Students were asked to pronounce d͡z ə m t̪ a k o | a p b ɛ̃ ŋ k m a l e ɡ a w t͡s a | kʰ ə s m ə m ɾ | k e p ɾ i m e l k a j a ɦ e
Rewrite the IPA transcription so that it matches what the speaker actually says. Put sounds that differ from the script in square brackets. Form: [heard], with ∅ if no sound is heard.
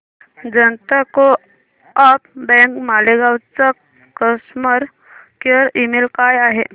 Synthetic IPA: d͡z ə [n] t̪ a k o | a p b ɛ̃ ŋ k m a l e ɡ a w t͡s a | [k] ə s m ə [∅] ɾ | k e [∅] ɾ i m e l k a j a ɦ e